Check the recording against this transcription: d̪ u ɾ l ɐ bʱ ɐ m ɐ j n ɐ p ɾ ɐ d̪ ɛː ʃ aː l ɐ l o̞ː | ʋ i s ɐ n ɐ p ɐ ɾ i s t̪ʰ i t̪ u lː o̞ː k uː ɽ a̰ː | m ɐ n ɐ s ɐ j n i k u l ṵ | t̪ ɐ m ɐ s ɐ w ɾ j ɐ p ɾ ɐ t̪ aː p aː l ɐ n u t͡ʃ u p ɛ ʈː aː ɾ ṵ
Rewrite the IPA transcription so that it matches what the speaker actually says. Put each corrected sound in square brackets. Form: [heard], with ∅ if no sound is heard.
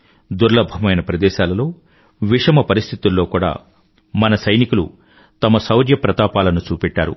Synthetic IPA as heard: d̪ u ɾ l ɐ bʱ ɐ m ɐ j n ɐ p ɾ ɐ d̪ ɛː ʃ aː l ɐ l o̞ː | ʋ i [ʂ] ɐ [m] ɐ p ɐ ɾ i s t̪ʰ i t̪ u lː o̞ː k uː ɽ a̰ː | m ɐ n ɐ s ɐ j n i k u l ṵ | t̪ ɐ m ɐ s ɐ w ɾ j ɐ p ɾ ɐ t̪ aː p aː l ɐ n u t͡ʃ [uː] p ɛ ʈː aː ɾ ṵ